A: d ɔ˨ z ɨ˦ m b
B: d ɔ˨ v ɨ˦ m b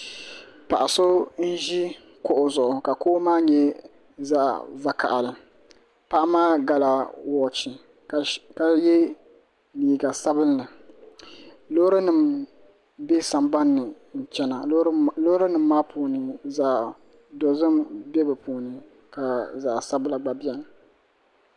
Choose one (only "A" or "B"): A